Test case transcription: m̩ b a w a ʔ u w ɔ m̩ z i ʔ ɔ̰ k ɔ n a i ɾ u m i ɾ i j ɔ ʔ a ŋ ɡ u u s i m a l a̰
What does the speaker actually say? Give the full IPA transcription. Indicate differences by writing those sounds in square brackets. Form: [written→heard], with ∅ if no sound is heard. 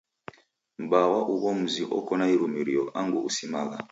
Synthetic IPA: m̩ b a w a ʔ u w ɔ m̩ z i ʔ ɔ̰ k ɔ n a i ɾ u m i ɾ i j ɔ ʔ a ŋ ɡ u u s i m a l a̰